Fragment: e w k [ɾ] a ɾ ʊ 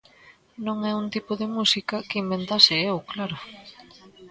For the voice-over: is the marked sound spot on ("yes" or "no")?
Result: no